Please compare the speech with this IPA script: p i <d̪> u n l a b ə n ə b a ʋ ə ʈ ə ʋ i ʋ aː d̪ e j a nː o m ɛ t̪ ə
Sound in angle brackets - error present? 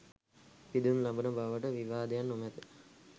no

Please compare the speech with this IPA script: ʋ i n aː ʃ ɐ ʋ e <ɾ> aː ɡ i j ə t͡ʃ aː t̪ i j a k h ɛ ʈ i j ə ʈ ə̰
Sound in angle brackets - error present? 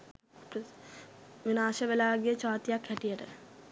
yes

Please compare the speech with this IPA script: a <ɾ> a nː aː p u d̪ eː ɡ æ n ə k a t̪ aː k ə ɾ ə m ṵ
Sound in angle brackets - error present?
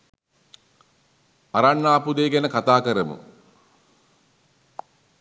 no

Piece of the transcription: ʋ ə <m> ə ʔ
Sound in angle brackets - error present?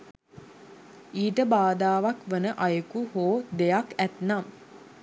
yes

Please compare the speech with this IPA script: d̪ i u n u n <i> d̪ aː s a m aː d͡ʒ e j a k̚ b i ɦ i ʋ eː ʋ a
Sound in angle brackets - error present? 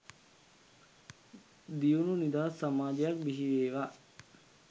no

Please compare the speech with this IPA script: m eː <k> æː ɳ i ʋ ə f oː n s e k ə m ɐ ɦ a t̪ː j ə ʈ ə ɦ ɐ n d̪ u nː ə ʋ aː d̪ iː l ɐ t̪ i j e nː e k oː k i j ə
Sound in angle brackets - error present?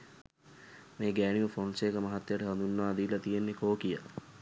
yes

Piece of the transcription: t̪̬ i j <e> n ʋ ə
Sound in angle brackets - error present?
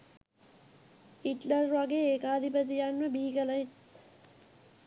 yes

